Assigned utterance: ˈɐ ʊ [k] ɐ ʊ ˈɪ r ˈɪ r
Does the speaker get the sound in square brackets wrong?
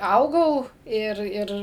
yes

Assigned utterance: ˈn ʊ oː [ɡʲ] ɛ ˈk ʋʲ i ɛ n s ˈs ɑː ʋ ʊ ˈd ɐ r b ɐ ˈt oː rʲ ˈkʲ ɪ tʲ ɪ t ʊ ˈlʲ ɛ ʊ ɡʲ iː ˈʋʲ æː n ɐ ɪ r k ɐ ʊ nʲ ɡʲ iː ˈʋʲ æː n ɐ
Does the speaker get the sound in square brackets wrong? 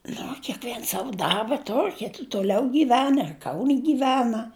yes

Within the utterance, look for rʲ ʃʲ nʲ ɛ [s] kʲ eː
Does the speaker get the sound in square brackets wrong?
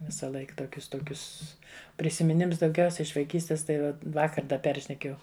yes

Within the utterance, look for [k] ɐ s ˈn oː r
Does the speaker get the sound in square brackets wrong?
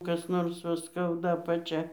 no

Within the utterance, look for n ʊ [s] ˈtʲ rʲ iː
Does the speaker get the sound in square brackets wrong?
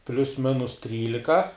no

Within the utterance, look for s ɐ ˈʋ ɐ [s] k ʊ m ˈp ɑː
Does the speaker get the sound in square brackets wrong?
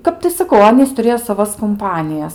no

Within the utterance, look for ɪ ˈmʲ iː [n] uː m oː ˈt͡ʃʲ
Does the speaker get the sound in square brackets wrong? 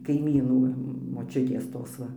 no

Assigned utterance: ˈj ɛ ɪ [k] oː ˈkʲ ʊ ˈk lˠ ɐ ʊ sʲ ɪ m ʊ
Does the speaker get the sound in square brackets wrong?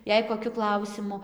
no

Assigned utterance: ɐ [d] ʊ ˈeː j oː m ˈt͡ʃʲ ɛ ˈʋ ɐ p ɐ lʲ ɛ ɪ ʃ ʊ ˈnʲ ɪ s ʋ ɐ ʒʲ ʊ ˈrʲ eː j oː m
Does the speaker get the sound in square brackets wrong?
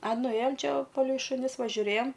yes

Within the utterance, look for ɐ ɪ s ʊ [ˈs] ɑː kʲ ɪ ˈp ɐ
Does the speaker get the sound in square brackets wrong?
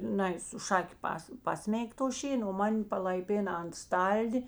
yes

